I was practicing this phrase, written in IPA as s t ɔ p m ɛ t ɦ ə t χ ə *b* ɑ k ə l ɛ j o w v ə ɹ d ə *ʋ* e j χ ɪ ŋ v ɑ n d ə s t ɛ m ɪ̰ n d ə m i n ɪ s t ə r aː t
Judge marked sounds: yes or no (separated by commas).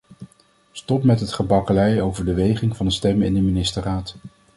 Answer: yes, yes